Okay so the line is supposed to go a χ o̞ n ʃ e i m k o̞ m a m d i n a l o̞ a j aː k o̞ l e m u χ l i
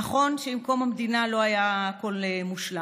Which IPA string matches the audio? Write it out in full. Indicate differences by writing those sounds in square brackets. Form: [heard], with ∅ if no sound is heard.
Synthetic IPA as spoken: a χ o̞ n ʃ e i m k o̞ m a m d i n a l o̞ a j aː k o̞ l e m u [ʃ] l [a]